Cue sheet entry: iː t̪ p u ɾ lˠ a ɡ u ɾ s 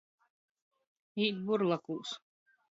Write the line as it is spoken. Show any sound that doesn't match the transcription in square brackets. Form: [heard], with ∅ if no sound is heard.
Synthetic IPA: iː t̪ [b] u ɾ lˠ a [k] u [∅] s